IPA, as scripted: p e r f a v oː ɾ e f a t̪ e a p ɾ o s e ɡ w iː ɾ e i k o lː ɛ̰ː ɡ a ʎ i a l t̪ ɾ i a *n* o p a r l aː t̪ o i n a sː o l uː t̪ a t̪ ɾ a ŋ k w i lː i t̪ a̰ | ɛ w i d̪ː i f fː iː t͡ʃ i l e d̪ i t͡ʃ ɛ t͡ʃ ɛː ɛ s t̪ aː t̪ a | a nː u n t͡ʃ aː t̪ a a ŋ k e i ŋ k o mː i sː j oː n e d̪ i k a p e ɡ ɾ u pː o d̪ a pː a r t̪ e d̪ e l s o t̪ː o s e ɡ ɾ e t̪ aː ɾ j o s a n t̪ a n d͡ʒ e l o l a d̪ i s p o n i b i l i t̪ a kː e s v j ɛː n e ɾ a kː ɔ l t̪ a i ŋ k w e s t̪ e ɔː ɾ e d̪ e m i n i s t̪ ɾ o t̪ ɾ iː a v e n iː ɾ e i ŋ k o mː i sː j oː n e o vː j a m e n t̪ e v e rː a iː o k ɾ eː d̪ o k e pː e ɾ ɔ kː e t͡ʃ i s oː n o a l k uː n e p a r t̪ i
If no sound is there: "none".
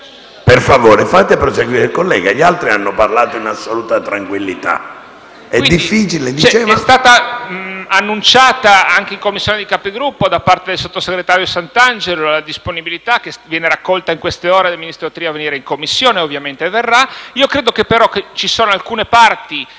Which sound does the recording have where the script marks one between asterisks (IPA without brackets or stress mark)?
nː